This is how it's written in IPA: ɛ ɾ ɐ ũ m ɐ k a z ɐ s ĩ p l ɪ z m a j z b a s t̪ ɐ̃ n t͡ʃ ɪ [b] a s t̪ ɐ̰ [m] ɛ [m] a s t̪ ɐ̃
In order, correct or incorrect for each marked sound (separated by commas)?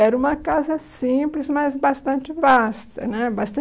incorrect, incorrect, incorrect